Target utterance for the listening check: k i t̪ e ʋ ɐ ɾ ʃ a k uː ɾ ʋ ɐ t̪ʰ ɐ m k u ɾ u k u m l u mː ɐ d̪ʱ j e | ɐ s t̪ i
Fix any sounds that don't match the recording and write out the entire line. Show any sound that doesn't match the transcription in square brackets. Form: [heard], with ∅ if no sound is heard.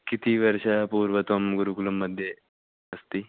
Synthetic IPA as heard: k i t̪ [i] ʋ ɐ ɾ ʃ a [p] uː ɾ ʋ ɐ [t̪] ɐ m [ɡ] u ɾ u k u [∅] l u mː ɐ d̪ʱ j e | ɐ s t̪ i